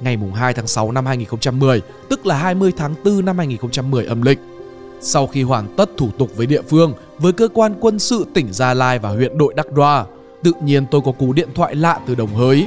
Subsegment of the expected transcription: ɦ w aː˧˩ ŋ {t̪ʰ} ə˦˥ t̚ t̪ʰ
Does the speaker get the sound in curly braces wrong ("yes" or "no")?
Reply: yes